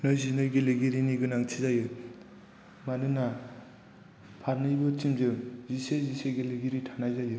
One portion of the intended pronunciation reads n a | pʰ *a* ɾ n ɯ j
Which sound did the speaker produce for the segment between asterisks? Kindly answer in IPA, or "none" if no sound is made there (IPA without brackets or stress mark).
a